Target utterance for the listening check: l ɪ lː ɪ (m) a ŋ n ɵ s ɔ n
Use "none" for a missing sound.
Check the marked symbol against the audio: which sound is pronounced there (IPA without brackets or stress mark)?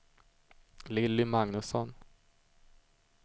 m